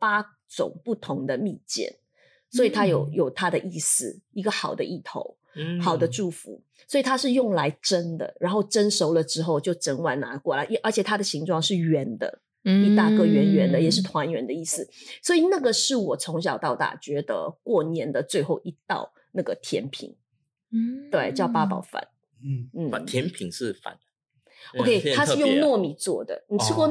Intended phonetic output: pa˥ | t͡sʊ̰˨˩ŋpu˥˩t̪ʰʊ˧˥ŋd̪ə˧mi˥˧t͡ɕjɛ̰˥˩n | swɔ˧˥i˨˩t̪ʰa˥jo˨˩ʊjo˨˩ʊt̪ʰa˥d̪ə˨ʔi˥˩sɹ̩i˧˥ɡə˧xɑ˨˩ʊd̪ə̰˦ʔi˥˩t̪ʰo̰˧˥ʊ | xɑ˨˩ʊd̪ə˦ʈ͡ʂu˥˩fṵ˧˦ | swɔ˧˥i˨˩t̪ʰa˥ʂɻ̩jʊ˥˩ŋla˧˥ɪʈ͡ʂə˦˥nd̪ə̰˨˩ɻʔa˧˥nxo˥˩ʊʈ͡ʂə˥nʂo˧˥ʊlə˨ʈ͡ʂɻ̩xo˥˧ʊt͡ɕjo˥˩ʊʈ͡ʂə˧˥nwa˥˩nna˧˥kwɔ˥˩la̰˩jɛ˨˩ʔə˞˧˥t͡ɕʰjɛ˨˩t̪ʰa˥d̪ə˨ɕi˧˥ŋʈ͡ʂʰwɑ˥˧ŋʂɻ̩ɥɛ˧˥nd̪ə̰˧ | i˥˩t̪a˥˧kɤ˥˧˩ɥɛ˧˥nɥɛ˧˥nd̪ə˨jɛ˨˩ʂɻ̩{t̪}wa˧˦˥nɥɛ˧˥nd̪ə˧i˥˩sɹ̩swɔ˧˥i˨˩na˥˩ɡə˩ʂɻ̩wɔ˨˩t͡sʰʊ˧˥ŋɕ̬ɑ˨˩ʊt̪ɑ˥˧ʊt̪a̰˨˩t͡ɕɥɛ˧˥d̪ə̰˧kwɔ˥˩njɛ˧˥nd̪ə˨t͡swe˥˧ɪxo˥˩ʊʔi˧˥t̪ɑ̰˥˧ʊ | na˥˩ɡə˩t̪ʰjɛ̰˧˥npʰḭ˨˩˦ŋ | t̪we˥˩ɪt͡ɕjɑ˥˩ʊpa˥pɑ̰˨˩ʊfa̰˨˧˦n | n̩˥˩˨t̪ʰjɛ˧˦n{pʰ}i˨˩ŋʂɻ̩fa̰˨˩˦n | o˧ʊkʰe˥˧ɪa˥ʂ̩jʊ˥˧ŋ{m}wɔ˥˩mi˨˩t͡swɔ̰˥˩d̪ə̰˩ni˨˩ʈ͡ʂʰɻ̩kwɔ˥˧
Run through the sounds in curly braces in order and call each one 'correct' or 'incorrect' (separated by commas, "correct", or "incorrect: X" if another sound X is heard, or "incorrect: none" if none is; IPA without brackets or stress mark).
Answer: incorrect: t̪ʰ, correct, incorrect: n